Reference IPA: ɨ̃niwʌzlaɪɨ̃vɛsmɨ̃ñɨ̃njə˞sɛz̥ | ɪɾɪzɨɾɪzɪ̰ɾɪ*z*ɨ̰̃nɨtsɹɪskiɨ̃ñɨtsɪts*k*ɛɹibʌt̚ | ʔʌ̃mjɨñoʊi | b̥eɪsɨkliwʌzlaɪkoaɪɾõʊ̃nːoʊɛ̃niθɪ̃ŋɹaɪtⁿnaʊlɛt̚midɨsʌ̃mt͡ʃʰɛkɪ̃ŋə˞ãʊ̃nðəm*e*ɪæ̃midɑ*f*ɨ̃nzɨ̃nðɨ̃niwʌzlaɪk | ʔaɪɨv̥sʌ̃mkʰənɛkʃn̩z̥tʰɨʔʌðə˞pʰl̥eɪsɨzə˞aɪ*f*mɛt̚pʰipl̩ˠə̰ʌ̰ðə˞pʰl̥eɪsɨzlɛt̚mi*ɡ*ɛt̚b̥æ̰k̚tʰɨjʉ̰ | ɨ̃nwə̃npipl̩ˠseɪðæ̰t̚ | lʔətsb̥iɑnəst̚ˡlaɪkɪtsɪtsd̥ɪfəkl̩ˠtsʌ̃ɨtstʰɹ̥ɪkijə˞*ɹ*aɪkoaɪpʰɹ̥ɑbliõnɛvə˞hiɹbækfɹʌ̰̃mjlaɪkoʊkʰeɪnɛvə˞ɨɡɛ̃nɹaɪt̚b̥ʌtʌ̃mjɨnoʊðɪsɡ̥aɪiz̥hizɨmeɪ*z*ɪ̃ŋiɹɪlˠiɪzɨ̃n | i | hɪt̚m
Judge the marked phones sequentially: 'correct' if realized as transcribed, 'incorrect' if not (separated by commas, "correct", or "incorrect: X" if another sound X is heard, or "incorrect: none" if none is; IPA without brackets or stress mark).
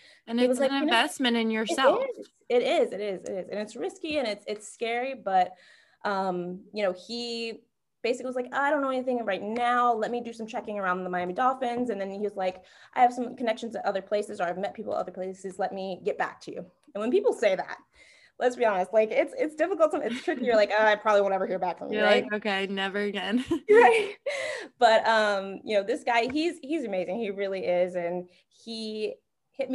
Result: correct, correct, incorrect: a, correct, incorrect: v, correct, incorrect: l, correct